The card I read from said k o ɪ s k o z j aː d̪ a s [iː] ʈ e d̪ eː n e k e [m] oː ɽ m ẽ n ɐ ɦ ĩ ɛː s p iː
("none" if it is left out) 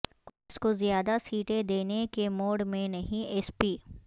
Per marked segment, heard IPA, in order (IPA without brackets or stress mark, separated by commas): iː, m